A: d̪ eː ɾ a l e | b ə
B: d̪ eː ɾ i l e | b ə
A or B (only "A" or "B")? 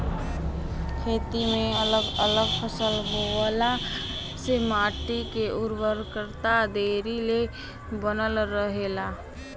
B